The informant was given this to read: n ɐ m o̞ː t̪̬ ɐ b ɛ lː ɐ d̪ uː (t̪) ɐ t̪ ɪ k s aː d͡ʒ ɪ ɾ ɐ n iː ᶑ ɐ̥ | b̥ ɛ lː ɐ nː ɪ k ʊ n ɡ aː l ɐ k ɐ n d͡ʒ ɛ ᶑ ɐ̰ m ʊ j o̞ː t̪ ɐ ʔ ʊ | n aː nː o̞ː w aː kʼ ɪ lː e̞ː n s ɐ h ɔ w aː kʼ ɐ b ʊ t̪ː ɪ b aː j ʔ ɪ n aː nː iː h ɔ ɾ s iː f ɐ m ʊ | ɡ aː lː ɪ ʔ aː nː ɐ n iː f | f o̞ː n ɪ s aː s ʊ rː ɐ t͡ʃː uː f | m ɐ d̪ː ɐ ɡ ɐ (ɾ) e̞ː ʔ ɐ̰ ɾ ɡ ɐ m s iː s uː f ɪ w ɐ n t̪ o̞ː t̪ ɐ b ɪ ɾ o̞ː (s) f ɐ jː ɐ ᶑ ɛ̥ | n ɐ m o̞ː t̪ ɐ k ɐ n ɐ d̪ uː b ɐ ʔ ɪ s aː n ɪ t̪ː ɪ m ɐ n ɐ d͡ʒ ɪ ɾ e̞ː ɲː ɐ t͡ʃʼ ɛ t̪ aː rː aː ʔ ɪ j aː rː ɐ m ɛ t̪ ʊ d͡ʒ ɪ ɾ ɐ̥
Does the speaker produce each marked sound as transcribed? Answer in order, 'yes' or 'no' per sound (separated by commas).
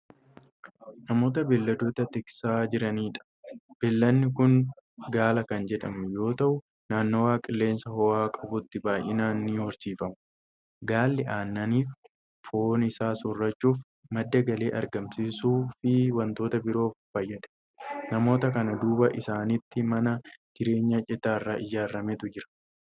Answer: yes, no, no